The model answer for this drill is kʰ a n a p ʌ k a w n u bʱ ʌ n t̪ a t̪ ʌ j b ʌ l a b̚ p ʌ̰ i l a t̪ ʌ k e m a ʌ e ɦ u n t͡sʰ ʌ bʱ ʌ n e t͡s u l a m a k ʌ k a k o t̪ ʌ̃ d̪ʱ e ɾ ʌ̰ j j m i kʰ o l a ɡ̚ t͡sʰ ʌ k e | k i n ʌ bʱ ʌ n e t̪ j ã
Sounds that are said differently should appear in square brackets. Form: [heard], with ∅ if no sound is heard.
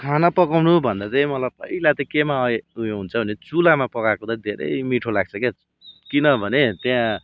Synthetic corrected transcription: kʰ a n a p ʌ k a w n u bʱ ʌ n [d̪] a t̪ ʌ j [m] ʌ l a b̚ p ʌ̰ i l a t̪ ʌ k e m a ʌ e ɦ u n t͡sʰ ʌ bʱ ʌ n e t͡s u l a m a [p] ʌ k a k o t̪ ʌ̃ d̪ʱ e ɾ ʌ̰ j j m i [ʈʰ] o l a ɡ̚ t͡sʰ ʌ k e | k i n ʌ bʱ ʌ n e t̪ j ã